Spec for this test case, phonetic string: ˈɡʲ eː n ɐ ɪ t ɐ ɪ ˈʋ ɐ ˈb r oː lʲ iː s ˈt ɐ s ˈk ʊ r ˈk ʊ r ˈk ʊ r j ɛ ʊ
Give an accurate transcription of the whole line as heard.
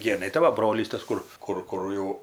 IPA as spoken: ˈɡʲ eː n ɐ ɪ t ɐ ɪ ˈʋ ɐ ˈb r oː lʲ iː s ˈt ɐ s ˈk ʊ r ˈk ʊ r ˈk ʊ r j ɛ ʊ